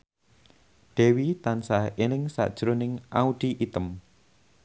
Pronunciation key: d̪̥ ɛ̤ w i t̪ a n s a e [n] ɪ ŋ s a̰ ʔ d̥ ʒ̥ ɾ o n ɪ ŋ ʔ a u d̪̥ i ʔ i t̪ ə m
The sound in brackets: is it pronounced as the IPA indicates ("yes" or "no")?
yes